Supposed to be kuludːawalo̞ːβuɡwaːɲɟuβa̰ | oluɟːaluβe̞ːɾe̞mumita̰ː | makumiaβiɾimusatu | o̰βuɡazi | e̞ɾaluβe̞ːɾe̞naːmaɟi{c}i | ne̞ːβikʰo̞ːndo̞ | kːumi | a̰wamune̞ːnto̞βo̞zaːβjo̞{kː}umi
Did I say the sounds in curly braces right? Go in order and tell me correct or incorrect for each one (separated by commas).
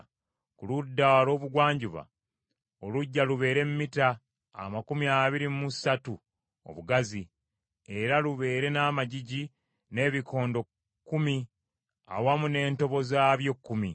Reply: incorrect, correct